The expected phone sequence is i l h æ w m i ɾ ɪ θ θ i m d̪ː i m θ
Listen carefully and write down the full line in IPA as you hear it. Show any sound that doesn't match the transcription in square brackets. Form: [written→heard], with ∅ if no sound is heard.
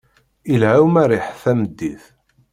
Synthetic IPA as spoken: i l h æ w m [i→æ] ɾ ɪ [θ→ħ] θ [i→æ] m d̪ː i [m→∅] θ